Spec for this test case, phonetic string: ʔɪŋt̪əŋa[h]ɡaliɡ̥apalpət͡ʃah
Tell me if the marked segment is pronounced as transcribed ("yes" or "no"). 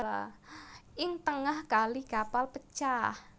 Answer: yes